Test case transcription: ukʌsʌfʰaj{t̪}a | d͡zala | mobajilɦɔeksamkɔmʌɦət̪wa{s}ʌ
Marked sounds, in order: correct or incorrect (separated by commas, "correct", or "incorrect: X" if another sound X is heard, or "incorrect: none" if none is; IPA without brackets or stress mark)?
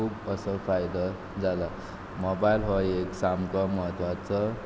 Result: incorrect: d̪, incorrect: t͡s